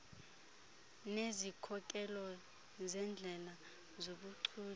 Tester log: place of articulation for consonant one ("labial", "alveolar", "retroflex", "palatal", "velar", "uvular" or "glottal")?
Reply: alveolar